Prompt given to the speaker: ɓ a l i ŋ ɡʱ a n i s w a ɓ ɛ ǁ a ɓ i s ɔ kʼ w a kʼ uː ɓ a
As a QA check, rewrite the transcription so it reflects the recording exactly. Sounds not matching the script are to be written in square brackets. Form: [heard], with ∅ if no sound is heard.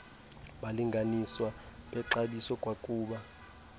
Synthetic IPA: ɓ a l i ŋ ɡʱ a n i s w a ɓ ɛ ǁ a ɓ i s ɔ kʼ w a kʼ uː ɓ a

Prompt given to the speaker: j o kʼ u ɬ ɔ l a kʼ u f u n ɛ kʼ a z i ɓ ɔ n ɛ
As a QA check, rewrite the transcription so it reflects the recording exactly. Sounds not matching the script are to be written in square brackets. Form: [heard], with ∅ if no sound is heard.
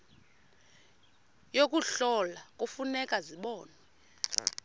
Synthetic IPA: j o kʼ u ɬ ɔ l a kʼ u f u n ɛ kʼ a z i ɓ [ɔː] n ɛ

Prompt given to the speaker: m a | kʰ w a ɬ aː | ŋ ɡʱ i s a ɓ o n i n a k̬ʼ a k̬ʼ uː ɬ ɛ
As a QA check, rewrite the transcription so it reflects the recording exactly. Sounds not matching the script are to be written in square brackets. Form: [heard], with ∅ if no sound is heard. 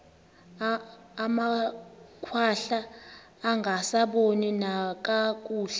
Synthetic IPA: m a | kʰ w a ɬ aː | ŋ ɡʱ [a] s a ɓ o n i n a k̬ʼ a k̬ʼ uː ɬ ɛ

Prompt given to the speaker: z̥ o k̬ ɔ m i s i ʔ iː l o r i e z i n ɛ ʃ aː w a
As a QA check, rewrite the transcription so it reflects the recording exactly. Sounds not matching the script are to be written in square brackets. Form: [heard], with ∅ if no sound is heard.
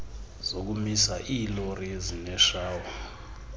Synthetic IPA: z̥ o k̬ [u] m i s [a] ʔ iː l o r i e z i n ɛ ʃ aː w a

